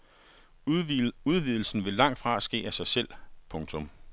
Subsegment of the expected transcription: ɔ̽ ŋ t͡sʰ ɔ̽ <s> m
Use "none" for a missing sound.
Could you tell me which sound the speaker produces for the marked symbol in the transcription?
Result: none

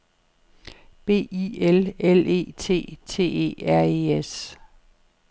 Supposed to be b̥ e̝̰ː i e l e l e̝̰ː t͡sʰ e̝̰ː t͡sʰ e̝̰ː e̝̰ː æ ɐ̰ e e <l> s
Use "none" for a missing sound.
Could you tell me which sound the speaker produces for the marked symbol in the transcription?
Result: none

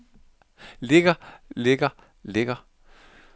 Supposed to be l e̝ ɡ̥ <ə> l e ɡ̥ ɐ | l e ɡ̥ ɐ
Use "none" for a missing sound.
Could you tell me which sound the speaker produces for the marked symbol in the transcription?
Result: ɐ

